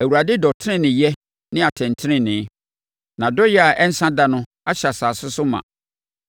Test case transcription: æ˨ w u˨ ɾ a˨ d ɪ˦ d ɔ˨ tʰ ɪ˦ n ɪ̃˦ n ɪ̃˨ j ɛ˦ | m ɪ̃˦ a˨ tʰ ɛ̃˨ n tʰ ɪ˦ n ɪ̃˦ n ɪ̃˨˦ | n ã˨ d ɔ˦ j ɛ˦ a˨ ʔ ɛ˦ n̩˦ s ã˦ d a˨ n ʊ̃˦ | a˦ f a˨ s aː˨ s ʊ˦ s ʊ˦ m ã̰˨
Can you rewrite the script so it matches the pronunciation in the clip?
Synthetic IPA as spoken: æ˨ w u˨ ɾ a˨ d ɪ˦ d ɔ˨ tʰ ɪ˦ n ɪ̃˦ n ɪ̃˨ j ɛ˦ | n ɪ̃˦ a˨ tʰ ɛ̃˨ n tʰ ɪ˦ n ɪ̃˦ n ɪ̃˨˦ | n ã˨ d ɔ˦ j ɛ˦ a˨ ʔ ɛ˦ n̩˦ s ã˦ d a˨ n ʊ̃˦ | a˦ ɕ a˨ s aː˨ s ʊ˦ s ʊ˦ m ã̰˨